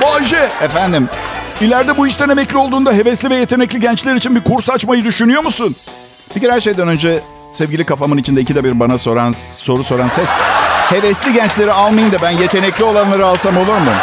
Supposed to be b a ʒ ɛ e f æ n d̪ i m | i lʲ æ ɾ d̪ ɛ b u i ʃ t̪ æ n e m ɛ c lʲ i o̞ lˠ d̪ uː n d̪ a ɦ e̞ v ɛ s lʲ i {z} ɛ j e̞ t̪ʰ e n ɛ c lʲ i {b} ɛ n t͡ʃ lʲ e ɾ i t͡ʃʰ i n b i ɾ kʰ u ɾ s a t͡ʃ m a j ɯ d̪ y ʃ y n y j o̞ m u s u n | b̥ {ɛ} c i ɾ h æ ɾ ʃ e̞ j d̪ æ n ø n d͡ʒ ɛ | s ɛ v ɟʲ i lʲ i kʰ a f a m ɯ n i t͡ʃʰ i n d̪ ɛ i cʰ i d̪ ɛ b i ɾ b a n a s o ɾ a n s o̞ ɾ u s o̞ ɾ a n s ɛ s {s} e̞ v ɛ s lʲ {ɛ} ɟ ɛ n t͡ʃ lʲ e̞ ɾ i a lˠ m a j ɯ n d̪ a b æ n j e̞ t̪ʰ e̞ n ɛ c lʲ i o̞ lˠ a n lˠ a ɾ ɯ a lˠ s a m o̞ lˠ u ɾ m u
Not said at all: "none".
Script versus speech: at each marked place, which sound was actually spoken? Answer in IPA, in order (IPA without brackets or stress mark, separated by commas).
v, ɟ, i, h, i